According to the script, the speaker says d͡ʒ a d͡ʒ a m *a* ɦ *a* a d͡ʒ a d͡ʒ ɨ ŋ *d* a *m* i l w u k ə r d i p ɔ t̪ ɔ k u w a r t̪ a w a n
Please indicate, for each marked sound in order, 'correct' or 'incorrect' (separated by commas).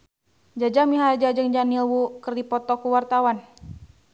incorrect, correct, incorrect, incorrect